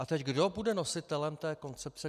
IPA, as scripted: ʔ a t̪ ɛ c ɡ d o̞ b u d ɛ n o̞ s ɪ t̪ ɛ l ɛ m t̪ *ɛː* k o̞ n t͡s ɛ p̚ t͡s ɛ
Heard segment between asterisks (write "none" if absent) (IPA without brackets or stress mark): ɛː